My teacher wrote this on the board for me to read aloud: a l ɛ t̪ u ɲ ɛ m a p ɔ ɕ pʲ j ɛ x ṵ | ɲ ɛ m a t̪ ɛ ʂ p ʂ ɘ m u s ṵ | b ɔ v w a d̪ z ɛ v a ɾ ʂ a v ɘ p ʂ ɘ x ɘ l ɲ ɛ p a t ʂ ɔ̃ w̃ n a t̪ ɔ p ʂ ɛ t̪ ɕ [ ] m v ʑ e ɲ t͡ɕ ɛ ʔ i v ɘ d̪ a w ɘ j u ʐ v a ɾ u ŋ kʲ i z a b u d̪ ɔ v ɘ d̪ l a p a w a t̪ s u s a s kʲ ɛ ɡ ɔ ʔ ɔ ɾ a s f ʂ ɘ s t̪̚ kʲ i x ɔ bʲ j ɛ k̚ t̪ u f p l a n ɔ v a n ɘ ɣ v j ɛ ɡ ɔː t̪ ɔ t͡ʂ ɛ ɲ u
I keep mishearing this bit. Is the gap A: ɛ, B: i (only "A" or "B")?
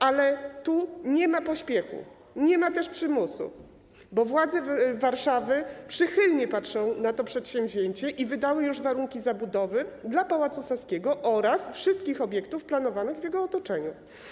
A